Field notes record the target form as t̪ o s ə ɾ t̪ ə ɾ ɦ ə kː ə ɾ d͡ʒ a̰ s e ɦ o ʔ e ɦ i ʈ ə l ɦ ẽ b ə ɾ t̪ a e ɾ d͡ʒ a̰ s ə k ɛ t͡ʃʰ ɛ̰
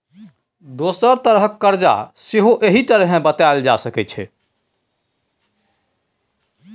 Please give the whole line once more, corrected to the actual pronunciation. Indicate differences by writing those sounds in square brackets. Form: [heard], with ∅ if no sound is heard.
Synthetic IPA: [d̪] o s ə ɾ t̪ ə ɾ ɦ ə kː ə ɾ d͡ʒ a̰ s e ɦ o ʔ e ɦ i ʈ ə [ɾ] ɦ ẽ b ə [∅] t̪ a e [l] d͡ʒ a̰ s ə k ɛ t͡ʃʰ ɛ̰